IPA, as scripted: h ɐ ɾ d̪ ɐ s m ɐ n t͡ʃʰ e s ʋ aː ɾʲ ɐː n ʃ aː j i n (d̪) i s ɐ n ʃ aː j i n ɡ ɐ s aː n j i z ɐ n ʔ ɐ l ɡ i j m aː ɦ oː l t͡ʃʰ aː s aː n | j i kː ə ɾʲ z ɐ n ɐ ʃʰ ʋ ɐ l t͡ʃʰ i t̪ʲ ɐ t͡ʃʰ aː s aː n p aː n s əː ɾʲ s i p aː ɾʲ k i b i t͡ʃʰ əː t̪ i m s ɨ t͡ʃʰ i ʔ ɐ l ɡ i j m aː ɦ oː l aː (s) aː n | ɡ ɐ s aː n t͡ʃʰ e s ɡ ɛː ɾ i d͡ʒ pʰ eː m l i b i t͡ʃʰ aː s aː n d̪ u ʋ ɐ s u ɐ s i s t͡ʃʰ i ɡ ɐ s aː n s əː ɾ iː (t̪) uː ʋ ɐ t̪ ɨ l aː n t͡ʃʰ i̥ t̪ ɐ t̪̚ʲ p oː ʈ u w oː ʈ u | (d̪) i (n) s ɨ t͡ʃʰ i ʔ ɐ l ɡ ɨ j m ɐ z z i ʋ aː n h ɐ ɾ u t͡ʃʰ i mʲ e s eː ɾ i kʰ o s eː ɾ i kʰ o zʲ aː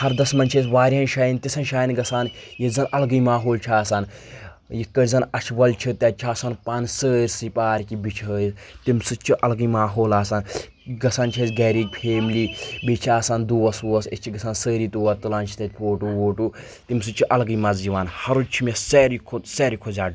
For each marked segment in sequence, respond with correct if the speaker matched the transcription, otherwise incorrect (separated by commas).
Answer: incorrect, correct, correct, incorrect, incorrect